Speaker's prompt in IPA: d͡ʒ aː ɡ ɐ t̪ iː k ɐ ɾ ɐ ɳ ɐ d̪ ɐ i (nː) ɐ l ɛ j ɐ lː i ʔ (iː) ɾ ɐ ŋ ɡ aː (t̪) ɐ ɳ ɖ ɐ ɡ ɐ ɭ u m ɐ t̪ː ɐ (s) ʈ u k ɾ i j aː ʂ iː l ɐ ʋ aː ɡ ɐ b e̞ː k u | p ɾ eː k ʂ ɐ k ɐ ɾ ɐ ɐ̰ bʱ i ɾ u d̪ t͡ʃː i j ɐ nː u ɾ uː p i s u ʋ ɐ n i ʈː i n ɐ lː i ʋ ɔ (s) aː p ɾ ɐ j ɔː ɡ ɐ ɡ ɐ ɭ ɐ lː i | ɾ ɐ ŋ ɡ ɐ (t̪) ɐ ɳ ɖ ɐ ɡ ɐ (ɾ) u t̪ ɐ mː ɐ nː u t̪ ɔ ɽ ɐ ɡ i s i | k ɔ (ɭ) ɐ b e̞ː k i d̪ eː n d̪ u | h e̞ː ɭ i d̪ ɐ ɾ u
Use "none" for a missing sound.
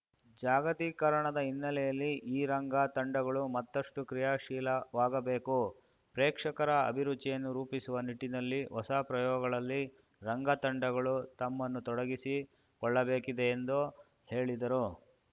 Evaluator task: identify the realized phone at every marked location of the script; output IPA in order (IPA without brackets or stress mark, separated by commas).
nː, iː, t̪, ʂ, s, t̪, ɭ, ɭː